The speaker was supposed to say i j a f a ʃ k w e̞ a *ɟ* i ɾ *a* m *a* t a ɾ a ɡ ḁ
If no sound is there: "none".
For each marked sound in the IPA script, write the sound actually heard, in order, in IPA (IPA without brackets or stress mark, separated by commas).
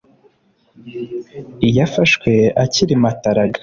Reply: c, i, a